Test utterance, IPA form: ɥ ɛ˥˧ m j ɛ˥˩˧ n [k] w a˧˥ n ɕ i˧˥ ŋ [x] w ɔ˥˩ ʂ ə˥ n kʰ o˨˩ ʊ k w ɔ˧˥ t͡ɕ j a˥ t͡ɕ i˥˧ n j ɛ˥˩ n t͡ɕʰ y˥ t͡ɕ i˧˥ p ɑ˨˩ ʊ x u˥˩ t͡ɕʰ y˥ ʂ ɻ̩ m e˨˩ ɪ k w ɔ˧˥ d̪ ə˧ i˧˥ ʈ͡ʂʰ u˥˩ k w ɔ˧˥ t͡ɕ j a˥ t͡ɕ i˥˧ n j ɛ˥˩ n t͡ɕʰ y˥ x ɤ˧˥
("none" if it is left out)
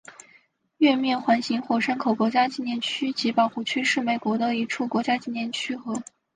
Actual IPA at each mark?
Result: x, x

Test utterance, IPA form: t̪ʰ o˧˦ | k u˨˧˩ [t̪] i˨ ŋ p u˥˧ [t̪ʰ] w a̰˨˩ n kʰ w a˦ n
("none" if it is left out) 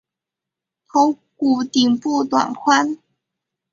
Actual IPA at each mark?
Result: t̪, t̪

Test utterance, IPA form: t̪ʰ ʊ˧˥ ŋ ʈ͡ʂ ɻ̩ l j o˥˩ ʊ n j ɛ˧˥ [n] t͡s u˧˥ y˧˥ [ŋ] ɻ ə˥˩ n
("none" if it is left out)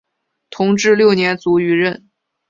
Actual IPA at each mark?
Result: n, none

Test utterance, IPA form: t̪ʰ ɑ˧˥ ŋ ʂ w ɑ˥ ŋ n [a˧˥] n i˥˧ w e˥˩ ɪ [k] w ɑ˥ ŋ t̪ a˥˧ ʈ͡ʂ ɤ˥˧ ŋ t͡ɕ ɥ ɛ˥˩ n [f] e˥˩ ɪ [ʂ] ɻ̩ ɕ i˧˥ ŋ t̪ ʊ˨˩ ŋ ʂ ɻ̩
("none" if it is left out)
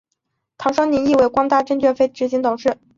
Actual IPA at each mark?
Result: i˧˥, k, f, ʈ͡ʂ

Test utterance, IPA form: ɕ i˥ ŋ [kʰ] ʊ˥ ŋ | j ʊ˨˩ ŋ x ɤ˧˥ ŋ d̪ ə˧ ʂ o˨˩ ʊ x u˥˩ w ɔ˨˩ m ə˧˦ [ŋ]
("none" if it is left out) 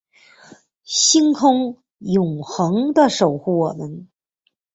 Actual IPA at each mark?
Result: kʰ, n

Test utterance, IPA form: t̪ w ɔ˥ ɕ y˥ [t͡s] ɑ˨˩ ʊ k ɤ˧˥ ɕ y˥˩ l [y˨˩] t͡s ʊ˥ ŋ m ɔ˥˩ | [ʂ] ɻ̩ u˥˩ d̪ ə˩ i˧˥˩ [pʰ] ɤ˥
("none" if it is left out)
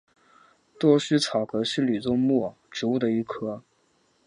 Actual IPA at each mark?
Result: t͡sʰ, y˨˩, ʈ͡ʂ, kʰ

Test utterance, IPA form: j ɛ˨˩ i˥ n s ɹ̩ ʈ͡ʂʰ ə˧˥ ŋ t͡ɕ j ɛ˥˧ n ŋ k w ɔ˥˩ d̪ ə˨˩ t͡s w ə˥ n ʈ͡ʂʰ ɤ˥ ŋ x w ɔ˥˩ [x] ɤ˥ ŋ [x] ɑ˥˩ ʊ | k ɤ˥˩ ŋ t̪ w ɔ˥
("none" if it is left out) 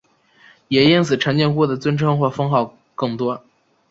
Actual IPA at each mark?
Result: f, x

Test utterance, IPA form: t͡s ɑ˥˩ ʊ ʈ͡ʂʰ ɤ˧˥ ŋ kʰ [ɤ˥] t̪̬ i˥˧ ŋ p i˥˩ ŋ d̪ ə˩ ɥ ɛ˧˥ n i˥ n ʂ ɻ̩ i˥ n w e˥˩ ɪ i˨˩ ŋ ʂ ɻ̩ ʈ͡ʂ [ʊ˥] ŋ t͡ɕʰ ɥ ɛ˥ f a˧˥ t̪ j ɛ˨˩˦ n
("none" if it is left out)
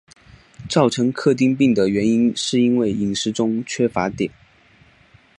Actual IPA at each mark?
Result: ɤ˥˧, ʊ˥

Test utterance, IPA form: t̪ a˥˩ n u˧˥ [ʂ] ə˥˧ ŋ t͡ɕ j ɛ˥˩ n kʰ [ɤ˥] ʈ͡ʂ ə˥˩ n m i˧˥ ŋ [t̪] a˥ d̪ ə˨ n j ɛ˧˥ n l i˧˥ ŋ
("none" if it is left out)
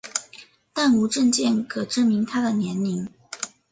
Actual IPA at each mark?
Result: ʈ͡ʂ, ɤ˨˩, t̪ʰ

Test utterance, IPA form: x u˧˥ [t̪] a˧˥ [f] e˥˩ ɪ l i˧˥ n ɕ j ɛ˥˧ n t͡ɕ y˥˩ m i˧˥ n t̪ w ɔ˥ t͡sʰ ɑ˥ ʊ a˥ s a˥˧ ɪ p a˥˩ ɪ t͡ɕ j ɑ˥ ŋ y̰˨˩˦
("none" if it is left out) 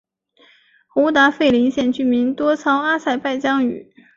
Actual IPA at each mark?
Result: t̪, f

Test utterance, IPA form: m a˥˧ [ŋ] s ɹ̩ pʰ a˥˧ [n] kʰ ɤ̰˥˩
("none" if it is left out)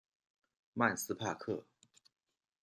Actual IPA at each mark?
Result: n, none

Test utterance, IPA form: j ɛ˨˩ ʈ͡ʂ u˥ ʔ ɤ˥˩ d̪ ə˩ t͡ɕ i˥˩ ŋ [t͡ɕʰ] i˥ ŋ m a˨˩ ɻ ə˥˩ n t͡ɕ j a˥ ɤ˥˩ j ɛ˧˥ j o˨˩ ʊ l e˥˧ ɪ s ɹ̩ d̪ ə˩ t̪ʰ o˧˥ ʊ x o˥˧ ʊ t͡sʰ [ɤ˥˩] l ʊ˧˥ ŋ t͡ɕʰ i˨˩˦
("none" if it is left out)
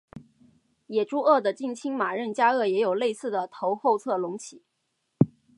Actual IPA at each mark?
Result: t͡ɕʰ, ɤ˥˩

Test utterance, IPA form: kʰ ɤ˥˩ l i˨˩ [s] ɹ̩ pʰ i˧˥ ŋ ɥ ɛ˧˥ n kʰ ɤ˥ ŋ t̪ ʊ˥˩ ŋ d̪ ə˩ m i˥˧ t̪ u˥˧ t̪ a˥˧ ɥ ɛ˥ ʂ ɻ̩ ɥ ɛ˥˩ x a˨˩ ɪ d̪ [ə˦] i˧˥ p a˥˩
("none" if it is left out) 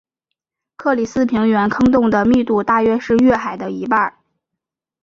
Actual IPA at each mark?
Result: s, ə˦

